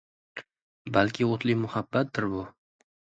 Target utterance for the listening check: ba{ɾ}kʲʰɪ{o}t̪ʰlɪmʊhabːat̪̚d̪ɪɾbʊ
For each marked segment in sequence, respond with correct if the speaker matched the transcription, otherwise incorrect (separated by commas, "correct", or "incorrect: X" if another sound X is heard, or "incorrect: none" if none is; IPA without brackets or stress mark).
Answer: incorrect: l, correct